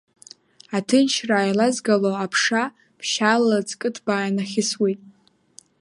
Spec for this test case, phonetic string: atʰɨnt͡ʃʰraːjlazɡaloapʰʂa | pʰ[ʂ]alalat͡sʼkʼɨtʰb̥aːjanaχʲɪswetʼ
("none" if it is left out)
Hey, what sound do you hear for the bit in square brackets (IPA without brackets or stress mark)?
ʃ